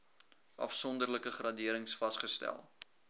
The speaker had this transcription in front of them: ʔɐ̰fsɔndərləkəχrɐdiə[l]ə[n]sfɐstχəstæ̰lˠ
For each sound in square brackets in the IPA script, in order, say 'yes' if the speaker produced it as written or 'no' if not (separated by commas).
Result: no, no